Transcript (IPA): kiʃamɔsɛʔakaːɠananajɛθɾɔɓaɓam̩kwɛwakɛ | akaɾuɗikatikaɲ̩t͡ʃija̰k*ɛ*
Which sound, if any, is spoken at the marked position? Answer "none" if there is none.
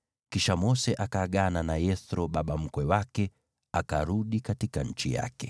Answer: ɛ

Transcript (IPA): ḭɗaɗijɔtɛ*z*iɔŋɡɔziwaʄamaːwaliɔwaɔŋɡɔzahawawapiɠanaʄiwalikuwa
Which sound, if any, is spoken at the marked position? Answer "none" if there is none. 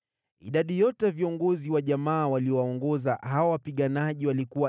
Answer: v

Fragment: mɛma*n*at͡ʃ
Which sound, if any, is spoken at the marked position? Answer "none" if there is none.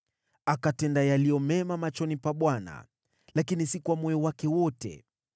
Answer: m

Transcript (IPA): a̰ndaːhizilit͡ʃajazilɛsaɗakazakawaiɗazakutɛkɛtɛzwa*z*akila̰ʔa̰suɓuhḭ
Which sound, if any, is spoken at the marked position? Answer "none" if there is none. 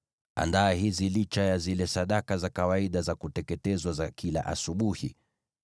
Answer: z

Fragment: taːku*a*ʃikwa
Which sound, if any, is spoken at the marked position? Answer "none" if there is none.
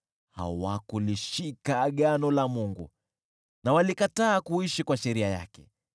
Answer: i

